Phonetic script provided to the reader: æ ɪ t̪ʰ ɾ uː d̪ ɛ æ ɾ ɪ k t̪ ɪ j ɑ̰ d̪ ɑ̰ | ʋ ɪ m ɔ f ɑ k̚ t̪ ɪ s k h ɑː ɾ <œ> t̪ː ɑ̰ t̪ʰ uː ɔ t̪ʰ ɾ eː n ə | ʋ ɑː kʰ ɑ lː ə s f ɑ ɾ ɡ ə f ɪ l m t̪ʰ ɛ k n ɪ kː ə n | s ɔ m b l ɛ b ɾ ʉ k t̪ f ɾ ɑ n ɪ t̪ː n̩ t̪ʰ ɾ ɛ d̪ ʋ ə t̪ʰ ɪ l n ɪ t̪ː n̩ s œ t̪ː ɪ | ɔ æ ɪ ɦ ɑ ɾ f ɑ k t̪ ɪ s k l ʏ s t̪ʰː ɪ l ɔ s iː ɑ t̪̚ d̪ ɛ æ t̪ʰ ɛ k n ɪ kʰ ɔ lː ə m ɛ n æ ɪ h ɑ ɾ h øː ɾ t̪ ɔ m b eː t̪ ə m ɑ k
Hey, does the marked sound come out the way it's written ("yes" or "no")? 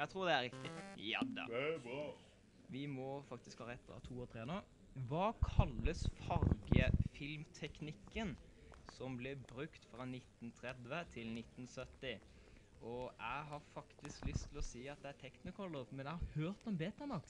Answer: no